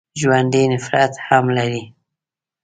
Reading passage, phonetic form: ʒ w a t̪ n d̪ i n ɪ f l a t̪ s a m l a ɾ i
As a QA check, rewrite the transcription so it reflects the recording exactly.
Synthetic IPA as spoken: ʒ w a n d̪ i n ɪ f ɾ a t̪ h a m l a ɾ i